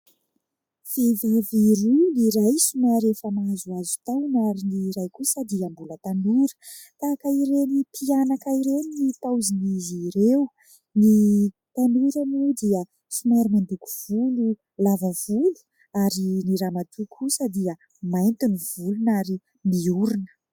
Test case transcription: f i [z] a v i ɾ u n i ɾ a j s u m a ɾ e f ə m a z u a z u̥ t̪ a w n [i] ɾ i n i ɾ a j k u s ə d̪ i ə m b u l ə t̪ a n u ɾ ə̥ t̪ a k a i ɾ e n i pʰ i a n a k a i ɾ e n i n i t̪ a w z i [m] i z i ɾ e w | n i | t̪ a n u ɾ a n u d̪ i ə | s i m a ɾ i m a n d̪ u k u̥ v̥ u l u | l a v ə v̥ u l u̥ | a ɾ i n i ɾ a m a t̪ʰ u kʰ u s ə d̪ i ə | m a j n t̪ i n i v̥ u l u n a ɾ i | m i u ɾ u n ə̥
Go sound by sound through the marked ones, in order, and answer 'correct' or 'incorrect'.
incorrect: v, incorrect: a, incorrect: n

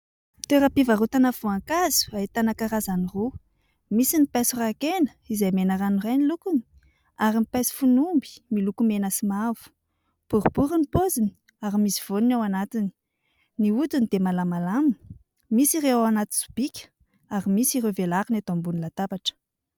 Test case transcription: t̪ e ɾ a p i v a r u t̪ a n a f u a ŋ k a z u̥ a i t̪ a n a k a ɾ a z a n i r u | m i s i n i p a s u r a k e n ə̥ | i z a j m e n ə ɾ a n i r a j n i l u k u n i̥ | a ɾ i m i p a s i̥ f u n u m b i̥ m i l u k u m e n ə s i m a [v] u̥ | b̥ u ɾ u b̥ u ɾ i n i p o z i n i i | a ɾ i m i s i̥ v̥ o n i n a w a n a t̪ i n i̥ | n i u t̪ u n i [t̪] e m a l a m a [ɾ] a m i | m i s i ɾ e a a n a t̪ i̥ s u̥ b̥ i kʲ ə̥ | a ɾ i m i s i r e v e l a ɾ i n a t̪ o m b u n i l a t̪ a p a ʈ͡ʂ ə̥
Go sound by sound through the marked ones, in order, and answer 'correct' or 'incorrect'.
correct, incorrect: d̪, incorrect: l

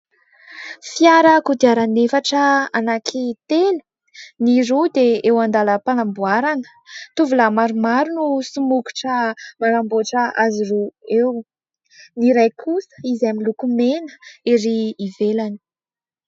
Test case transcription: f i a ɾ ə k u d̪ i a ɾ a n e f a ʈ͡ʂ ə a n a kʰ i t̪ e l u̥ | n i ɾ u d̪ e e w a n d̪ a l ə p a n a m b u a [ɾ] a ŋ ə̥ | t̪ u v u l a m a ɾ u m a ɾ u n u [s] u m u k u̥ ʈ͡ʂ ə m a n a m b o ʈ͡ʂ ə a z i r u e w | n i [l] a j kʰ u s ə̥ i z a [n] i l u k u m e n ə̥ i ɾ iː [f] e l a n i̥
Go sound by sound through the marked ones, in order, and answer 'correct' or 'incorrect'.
correct, correct, incorrect: ɾ, incorrect: m, incorrect: v

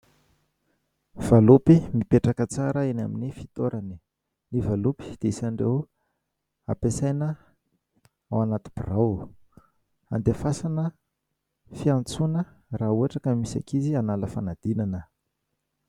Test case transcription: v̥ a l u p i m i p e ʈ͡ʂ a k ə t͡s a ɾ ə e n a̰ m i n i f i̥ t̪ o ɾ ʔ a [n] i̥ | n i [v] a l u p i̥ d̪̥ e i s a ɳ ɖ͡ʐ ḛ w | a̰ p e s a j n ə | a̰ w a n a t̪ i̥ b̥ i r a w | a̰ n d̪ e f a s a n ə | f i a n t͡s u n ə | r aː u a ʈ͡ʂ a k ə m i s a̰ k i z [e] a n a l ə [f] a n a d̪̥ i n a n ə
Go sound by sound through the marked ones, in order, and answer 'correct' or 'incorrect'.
correct, correct, incorrect: i, correct

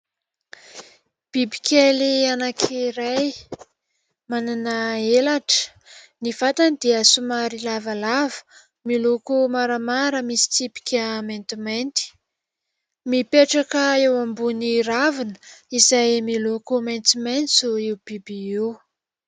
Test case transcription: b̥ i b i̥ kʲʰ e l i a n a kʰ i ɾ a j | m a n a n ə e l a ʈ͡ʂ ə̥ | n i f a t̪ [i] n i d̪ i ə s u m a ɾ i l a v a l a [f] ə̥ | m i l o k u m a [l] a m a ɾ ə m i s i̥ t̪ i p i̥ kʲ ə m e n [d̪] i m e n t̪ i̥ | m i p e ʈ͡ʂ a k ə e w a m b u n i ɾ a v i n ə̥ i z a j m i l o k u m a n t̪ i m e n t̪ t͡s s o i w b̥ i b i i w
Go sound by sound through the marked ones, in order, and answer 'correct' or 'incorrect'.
incorrect: a, incorrect: v, incorrect: ɾ, incorrect: t̪

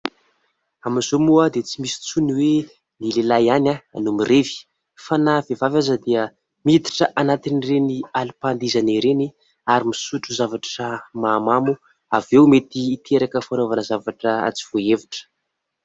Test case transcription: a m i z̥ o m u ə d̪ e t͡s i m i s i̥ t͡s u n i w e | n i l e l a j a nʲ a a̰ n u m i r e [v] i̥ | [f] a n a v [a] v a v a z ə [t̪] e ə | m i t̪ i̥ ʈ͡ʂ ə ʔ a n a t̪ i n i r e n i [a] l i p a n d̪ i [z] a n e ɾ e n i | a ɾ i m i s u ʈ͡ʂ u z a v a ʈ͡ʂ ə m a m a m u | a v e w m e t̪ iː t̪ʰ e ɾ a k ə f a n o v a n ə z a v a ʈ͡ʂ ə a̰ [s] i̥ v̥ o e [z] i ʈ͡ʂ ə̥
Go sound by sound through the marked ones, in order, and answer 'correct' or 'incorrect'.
correct, correct, incorrect: e, incorrect: d̪, correct, correct, incorrect: t͡s, incorrect: v

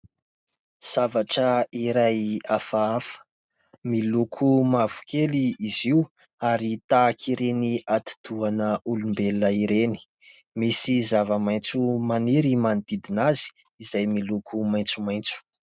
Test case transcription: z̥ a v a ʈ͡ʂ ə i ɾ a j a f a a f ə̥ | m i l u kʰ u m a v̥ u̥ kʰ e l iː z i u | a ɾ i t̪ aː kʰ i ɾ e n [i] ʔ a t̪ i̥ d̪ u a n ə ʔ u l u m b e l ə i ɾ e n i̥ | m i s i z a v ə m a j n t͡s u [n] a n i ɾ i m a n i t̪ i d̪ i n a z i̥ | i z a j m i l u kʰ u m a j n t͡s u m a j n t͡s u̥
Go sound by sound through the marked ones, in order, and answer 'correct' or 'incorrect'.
correct, incorrect: m

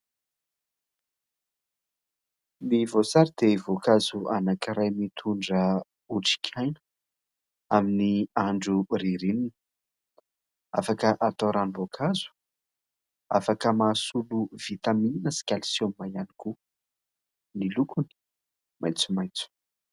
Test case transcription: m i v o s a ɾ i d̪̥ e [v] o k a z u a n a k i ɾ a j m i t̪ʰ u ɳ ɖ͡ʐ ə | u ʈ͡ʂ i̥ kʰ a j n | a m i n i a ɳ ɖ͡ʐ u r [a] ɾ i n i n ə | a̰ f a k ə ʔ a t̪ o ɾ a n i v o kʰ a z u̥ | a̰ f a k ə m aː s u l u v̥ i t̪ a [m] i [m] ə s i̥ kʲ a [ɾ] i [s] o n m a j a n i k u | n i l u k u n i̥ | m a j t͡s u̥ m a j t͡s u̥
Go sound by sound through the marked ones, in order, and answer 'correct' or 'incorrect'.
correct, incorrect: i, correct, incorrect: n, incorrect: l, correct

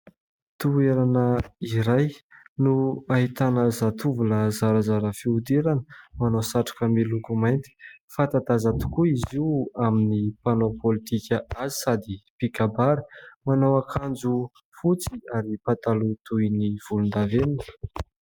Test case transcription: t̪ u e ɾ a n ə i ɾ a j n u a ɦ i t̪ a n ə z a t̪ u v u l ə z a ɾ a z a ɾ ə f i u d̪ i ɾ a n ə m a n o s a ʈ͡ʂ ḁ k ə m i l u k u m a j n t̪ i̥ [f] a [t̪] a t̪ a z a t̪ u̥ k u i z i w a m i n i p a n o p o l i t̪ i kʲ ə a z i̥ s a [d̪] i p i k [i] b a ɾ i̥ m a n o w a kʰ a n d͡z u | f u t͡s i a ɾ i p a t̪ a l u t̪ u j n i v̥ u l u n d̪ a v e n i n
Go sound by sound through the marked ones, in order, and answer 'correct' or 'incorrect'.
correct, correct, correct, incorrect: a

